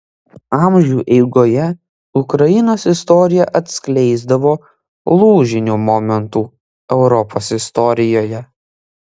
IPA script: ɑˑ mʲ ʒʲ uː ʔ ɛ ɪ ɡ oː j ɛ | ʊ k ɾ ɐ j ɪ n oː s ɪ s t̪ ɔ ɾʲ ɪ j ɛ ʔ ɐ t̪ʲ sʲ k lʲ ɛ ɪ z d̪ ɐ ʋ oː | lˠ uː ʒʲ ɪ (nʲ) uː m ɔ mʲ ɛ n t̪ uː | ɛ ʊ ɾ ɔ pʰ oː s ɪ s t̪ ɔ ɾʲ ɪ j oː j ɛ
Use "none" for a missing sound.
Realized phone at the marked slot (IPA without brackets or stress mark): nʲ